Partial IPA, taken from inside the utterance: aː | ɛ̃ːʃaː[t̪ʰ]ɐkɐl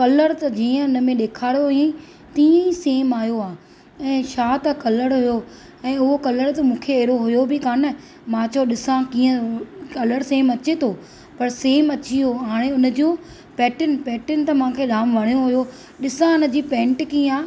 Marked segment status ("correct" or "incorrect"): incorrect